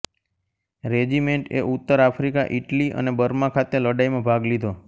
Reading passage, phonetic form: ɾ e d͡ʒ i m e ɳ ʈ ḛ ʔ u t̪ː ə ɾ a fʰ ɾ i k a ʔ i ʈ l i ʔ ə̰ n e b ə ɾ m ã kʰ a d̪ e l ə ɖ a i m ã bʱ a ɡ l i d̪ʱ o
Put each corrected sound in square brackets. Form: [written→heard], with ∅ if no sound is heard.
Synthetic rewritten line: ɾ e d͡ʒ i m e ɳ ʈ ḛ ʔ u t̪ː ə ɾ a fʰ ɾ i k a ʔ i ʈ l i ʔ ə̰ n e b ə ɾ m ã kʰ a [d̪→t̪] e l ə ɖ a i m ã bʱ a ɡ l i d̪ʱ o